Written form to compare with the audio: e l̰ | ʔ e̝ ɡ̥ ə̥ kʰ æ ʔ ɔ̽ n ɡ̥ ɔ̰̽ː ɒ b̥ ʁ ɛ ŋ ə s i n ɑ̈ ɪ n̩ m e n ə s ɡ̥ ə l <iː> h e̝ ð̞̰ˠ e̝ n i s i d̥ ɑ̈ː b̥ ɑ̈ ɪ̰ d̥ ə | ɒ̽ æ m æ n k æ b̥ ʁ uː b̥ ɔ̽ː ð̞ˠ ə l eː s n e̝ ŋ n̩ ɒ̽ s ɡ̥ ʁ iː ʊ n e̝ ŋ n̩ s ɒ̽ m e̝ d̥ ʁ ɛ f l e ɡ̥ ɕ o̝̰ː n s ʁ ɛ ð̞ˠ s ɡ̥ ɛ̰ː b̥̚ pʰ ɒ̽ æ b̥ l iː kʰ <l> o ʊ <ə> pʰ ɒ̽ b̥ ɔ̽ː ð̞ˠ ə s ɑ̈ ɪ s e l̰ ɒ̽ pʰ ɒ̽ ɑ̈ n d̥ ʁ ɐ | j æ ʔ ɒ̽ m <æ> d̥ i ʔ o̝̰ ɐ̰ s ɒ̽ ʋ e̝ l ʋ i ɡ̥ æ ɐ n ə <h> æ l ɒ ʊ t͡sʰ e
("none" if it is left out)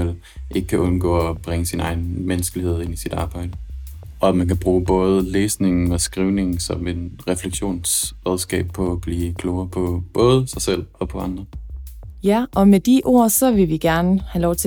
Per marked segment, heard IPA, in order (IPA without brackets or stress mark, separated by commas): i, l, ɐ, e, h